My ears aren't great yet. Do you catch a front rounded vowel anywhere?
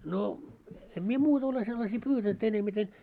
yes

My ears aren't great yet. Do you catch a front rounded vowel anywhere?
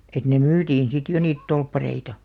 yes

